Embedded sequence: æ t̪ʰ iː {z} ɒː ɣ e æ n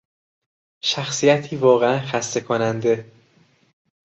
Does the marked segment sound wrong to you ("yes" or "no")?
yes